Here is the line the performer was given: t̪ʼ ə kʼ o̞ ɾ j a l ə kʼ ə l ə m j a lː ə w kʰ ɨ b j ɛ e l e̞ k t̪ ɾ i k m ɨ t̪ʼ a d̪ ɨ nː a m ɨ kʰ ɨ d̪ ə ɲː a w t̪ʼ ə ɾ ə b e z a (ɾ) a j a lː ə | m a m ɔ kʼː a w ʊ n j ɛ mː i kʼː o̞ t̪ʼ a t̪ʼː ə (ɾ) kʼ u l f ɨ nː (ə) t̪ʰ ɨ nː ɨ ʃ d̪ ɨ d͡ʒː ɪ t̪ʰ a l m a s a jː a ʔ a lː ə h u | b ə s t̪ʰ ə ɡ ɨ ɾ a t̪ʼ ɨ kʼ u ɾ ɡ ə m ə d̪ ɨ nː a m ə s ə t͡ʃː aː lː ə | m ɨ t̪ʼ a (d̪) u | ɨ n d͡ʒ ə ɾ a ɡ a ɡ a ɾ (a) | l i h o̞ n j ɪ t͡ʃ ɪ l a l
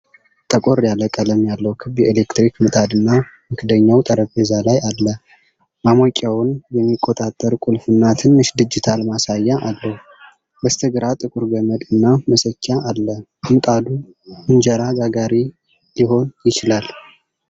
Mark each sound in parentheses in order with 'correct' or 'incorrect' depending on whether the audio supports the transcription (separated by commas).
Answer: incorrect, correct, incorrect, correct, incorrect